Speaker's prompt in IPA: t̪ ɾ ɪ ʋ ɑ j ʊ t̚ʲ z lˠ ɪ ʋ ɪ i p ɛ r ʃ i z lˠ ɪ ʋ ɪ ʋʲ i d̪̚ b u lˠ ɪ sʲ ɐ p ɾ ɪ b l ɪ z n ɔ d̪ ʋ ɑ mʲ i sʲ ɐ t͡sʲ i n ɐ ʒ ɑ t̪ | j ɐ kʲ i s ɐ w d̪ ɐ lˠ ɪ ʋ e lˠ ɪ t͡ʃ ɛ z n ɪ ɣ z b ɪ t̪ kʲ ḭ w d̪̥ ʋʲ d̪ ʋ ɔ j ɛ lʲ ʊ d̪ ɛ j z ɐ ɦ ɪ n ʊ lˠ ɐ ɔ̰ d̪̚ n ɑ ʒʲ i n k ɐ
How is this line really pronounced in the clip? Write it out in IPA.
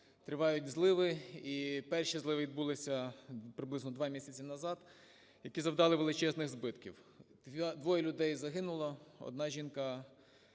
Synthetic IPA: t̪ ɾ ɪ ʋ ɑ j ʊ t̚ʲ z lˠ ɪ ʋ ɪ i p ɛ r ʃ i z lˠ ɪ ʋ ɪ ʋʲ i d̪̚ b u lˠ ɪ sʲ ɐ p ɾ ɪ b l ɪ z n ɔ d̪ ʋ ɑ mʲ i sʲ ɐ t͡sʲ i n ɐ z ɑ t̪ | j ɐ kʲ i z ɐ w d̪ ɑ lˠ ɪ ʋ e lˠ ɪ t͡ʃ ɛ z n ɪ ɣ z b ɪ t̪ kʲ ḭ w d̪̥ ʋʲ d̪ ʋ ɔ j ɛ lʲ ʊ d̪ ɛ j z ɐ ɦ ɪ n ʊ lˠ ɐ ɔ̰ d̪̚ n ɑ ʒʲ i n k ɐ